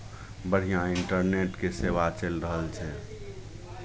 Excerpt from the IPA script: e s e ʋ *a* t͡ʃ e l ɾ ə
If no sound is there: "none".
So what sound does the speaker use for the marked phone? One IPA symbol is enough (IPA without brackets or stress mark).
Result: a